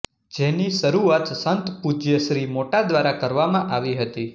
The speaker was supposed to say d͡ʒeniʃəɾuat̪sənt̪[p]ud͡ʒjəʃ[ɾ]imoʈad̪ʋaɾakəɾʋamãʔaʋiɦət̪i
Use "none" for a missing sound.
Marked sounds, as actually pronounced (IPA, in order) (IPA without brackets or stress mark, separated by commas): p, ɾ